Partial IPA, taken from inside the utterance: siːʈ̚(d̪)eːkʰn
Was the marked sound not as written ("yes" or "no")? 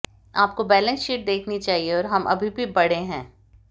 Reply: no